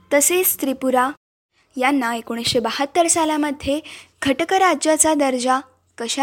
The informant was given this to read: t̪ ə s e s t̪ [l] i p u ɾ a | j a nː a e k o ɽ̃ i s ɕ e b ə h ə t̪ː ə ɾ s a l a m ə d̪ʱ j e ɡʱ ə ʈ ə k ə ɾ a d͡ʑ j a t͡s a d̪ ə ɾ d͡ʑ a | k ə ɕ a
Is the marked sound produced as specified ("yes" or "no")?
no